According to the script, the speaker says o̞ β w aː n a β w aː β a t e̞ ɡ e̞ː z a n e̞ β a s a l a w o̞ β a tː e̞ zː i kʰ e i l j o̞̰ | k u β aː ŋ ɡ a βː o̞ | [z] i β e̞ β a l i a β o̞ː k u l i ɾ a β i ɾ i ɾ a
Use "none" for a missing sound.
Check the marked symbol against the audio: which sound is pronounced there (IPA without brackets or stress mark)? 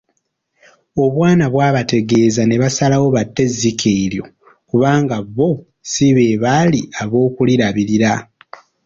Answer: s